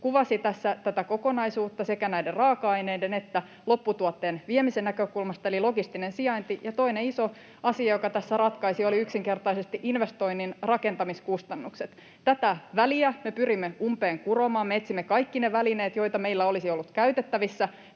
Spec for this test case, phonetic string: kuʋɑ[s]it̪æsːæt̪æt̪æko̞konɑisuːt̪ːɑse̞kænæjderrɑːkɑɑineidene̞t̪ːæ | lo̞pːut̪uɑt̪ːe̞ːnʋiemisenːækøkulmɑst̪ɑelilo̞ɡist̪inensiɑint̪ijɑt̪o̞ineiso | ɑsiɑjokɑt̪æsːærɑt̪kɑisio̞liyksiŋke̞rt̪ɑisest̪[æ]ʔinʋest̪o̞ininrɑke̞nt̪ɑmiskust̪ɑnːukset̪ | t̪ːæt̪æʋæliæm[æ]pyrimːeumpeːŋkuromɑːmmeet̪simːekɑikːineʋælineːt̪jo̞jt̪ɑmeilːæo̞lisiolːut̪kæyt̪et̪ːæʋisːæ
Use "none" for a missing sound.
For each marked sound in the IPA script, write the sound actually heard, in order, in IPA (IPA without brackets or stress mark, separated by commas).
s, i, e